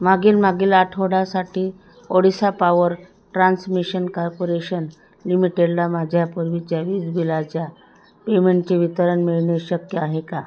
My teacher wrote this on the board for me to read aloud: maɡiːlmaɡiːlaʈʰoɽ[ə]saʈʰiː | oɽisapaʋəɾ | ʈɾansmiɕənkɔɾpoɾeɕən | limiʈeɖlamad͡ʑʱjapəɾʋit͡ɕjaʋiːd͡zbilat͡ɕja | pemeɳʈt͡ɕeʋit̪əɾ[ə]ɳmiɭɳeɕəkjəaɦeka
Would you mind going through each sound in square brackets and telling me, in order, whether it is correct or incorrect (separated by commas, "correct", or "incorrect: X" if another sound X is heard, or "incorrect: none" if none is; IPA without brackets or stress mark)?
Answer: incorrect: a, correct